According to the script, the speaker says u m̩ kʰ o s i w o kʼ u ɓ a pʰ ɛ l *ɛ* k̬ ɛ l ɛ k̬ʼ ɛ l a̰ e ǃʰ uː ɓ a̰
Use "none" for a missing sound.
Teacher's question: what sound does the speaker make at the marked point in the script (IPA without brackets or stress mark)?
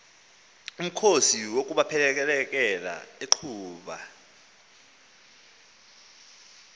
ɛ